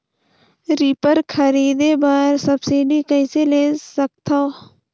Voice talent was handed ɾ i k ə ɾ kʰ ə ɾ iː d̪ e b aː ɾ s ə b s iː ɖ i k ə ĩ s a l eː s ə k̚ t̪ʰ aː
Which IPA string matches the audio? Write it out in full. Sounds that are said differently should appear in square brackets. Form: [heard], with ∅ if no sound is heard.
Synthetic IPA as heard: ɾ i [p] ə ɾ kʰ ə ɾ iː d̪ e b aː ɾ s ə b s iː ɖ i k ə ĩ s [e] l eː s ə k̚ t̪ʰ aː